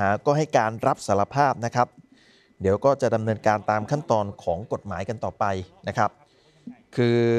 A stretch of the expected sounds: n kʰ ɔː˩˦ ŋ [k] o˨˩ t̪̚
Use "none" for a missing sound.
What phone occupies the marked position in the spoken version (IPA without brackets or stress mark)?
k